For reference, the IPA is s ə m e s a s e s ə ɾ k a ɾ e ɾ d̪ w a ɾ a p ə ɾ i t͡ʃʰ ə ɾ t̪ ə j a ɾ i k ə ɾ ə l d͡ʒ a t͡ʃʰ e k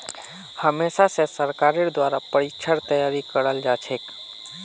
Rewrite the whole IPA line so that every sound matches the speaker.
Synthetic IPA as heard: h ə m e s a s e s ə ɾ k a ɾ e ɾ d̪ w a ɾ a p ə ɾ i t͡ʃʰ ə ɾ t̪ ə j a ɾ i k ə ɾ ə l d͡ʒ a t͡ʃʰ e k